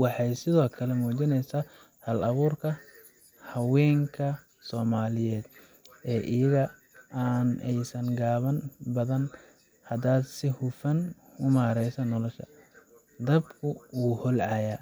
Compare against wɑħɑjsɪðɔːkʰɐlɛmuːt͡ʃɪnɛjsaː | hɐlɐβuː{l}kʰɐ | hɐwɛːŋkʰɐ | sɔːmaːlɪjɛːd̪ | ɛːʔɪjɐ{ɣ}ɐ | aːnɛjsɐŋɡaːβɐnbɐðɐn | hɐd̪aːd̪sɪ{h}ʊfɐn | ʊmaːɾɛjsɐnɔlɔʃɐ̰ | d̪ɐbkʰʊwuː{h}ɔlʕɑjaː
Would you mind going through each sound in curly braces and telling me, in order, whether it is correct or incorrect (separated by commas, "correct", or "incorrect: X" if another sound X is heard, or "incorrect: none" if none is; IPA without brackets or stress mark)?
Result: incorrect: r, correct, correct, correct